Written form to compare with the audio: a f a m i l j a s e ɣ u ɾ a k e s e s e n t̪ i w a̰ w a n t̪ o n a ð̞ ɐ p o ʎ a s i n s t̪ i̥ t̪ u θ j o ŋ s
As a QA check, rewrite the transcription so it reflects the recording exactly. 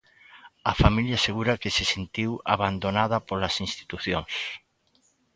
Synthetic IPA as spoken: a f a m i l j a s e ɣ u ɾ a k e s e s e n t̪ i w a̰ β a n d̪ o n a ð̞ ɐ p o l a s i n s t̪ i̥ t̪ u θ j o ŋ s